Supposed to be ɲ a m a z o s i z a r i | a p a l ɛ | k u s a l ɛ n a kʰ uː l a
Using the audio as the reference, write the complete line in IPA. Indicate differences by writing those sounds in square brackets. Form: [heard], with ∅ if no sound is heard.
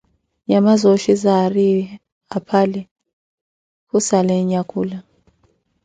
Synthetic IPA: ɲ a m a z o [ʃ] i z a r i | a [pʰ] a l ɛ | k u s a l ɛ [ɲ] a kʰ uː l a